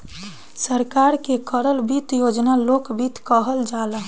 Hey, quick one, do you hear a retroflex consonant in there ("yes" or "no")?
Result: no